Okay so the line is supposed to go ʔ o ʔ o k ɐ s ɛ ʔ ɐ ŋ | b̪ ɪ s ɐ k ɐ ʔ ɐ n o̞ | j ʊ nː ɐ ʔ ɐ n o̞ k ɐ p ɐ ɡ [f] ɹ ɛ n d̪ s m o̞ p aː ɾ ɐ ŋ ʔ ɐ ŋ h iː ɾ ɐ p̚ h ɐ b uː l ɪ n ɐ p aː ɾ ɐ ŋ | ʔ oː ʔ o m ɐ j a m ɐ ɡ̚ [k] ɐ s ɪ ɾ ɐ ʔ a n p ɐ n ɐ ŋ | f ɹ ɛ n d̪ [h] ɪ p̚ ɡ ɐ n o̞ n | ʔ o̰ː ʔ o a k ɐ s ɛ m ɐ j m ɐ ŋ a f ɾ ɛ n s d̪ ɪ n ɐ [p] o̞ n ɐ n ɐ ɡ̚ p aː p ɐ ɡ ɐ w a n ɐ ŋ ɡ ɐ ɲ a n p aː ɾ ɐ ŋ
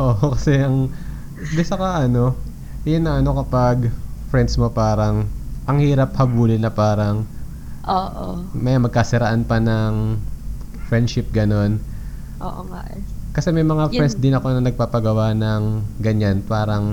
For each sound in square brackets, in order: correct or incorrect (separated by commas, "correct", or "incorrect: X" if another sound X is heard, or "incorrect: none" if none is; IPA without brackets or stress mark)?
correct, correct, incorrect: ʃ, incorrect: k